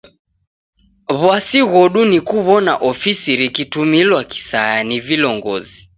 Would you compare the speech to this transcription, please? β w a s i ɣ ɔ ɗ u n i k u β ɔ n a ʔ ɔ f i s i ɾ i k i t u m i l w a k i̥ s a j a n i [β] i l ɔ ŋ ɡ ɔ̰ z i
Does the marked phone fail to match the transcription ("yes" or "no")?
yes